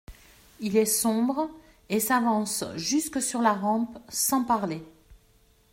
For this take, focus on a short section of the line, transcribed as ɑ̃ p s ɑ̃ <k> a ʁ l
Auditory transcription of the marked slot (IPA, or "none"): p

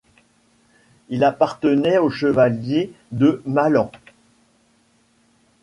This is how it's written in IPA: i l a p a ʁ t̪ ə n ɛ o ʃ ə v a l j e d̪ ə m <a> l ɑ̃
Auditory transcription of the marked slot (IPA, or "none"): a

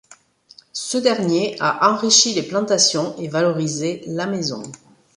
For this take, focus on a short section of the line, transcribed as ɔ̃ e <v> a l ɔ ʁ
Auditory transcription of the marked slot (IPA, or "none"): v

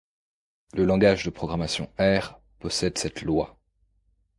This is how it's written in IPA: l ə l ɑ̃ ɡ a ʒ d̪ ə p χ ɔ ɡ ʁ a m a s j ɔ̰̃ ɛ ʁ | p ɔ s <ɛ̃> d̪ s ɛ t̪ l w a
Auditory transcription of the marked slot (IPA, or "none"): ɛ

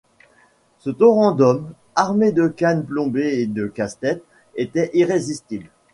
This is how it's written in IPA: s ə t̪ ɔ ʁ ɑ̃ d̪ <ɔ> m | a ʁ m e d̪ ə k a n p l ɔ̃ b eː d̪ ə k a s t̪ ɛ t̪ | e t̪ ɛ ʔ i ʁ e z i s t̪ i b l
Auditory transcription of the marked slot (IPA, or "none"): ɔ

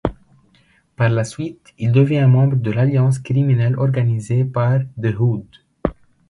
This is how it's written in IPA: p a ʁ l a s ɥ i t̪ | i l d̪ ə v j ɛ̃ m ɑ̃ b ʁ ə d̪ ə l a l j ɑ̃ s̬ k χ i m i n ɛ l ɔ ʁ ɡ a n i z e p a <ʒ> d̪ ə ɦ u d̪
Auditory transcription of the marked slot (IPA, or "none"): ʁ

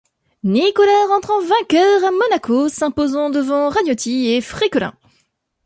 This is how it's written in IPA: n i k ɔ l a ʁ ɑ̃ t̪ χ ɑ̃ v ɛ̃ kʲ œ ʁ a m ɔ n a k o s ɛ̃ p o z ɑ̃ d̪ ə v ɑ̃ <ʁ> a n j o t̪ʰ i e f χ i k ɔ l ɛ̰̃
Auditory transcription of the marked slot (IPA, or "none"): ʁ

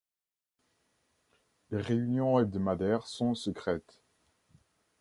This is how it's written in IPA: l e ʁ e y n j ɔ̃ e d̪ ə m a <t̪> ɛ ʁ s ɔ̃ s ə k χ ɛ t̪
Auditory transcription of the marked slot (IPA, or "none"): d̪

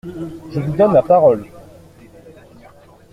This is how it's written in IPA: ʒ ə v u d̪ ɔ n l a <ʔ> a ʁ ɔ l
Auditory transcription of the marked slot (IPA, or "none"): p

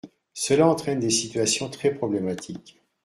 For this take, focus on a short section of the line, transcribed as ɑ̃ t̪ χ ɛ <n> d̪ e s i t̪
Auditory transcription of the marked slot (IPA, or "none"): n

